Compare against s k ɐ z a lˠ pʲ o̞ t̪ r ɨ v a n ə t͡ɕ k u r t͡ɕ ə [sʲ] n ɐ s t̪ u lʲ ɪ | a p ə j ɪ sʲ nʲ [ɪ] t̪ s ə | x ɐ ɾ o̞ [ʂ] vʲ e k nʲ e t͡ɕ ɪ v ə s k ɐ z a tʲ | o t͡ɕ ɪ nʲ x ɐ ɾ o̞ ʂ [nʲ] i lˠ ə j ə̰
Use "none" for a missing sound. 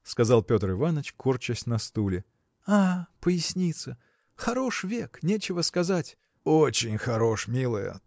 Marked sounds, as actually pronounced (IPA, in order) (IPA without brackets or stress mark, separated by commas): sʲ, i, ʂ, mʲ